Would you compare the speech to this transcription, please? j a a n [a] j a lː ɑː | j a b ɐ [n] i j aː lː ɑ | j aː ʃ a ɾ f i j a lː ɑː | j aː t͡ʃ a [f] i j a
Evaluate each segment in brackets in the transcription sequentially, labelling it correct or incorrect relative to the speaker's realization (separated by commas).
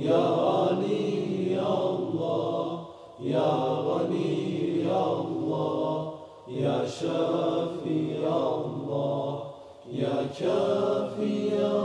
incorrect, correct, correct